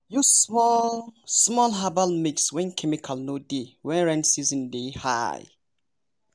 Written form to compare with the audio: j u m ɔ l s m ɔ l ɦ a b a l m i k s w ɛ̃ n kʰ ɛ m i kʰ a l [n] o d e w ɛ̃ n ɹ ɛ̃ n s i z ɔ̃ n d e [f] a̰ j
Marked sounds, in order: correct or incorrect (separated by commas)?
correct, incorrect